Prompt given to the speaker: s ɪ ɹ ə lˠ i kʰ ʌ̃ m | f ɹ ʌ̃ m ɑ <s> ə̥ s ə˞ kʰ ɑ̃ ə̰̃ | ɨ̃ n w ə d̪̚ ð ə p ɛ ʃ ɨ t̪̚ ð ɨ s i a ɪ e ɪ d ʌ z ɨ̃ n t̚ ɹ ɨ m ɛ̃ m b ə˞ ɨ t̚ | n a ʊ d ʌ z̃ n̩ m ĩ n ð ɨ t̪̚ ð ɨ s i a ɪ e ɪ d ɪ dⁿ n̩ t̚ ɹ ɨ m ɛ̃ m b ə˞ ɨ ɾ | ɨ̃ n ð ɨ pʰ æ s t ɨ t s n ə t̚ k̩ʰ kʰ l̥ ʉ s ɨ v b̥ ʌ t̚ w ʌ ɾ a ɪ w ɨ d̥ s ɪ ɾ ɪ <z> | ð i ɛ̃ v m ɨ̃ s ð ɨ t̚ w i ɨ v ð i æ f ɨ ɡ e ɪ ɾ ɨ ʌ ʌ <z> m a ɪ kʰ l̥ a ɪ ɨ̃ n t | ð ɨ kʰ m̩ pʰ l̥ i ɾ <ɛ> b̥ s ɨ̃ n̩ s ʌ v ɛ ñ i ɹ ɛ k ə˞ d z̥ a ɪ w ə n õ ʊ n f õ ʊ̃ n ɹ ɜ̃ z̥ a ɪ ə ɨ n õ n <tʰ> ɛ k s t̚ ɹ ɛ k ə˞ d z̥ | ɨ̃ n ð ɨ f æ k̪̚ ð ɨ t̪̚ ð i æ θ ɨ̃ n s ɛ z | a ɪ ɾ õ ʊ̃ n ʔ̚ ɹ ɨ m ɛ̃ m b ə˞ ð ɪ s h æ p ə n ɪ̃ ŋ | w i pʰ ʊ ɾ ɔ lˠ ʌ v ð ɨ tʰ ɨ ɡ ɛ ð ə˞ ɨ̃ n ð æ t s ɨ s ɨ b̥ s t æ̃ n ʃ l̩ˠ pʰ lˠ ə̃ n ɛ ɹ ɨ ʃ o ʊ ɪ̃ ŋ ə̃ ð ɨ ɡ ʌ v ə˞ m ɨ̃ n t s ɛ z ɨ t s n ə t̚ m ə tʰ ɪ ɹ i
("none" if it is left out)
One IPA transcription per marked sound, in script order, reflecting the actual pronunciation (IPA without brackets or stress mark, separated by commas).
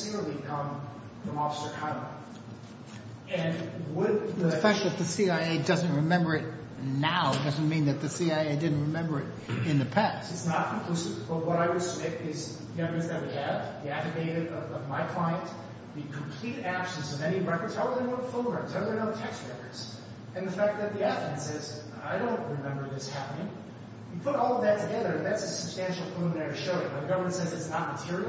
f, z, v, æ, tʰ